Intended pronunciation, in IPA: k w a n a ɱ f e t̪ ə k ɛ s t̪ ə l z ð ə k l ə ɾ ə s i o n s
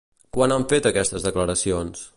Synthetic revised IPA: k w a n a ɱ f e t̪ ə k ɛ s t̪ ə z ð ə k l ə ɾ ə s i o n s